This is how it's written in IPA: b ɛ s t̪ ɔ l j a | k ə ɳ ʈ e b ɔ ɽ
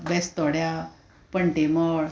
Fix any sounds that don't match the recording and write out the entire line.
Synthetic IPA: b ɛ s t̪ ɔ ɽ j a | p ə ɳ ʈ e m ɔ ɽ